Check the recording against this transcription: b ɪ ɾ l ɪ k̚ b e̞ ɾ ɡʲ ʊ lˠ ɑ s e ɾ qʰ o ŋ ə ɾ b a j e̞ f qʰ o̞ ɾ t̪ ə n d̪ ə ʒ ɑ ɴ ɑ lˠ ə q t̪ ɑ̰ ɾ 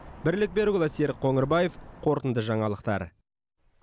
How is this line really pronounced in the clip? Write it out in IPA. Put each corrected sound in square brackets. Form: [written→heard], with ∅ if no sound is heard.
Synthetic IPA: b ɪ ɾ l ɪ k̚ b e̞ ɾ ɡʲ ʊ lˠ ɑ s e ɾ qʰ o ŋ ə ɾ b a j e̞ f qʰ o̞ ɾ t̪ ə n d̪ ə ʒ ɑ ɴ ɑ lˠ ə q t̪ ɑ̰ ɾ